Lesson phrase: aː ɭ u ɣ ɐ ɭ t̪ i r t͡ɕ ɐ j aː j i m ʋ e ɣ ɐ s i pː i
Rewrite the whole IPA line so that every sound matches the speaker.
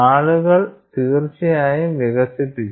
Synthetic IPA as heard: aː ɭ u ɣ ɐ ɭ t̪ iː r t͡ɕ ɐ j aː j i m ʋ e ɣ ɐ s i ʈː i